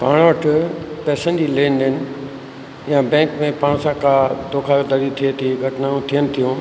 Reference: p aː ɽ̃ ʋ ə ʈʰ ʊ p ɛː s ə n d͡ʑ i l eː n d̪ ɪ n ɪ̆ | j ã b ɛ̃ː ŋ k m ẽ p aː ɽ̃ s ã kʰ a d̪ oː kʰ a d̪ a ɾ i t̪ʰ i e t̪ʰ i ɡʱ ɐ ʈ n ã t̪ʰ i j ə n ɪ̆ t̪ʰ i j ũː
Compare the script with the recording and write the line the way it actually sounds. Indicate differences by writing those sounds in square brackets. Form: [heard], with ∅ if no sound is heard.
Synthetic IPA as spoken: p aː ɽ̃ ʋ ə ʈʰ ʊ p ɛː s ə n d͡ʑ i l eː n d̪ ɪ n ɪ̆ | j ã b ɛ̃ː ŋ k m ẽ p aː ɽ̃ s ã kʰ a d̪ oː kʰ a d̪ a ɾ i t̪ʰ i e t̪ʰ i ɡʱ ɐ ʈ n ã t̪ʰ i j ə n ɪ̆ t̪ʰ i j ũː